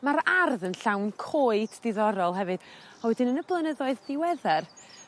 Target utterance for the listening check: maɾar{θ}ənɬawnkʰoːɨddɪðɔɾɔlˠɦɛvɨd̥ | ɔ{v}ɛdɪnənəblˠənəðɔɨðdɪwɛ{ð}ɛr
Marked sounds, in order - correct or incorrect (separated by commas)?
incorrect, incorrect, correct